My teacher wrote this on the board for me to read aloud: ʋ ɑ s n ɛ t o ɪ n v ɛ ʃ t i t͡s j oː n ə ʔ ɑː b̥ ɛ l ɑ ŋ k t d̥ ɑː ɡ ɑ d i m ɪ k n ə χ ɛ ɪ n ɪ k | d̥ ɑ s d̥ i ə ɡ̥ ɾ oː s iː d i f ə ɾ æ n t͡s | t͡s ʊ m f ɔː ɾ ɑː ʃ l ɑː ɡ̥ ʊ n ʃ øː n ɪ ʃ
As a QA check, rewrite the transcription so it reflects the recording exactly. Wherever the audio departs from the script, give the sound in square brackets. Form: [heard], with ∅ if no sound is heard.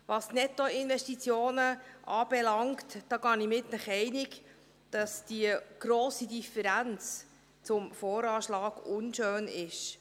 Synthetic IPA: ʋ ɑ s n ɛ t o ɪ n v ɛ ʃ t i t͡s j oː n ə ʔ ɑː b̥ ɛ l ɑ ŋ k t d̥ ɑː ɡ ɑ [n] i m ɪ [t] n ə χ ɛ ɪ n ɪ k | d̥ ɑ s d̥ i ə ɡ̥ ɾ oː s [i] d i f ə ɾ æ n t͡s | t͡s ʊ m f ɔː ɾ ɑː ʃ l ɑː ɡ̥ ʊ n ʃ øː n ɪ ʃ